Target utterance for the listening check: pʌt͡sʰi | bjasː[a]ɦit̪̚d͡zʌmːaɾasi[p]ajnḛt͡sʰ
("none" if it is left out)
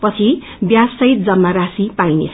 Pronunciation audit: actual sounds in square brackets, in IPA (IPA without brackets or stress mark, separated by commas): ʌ, p